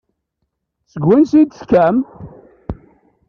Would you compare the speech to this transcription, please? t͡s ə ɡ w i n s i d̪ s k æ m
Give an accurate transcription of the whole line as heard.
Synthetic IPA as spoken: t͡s ə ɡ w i n s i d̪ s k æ m